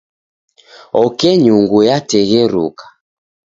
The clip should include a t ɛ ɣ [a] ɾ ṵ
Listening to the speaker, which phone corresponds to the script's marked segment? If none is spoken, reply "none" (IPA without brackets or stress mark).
ɛ